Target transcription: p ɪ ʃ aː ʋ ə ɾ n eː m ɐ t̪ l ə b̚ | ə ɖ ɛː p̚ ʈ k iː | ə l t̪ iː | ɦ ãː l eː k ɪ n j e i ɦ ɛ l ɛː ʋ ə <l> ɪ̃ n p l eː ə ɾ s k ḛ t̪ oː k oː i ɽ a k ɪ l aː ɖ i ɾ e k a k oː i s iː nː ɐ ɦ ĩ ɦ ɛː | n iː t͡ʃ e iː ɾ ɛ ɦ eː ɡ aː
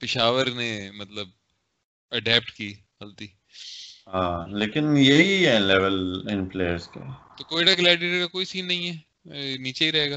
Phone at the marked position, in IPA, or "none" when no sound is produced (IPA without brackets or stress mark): l